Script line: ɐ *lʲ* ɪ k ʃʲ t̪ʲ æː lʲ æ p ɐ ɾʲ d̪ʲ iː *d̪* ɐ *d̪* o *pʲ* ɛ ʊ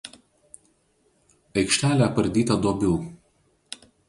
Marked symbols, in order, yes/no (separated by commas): no, no, yes, no